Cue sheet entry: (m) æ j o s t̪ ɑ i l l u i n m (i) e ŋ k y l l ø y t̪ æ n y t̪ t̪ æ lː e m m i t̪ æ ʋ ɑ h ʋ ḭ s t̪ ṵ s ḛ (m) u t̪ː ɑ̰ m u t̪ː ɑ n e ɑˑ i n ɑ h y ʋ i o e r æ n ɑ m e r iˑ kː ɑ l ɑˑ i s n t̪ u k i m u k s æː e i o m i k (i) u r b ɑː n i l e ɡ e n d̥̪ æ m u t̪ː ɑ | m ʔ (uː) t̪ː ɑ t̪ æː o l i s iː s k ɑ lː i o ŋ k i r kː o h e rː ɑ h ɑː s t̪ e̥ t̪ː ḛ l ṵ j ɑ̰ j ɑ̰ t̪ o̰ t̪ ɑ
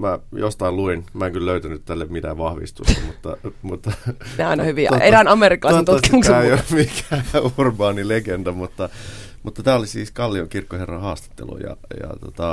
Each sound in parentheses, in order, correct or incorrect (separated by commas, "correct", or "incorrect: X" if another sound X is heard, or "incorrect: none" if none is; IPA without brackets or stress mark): correct, incorrect: æ, correct, incorrect: æ, incorrect: u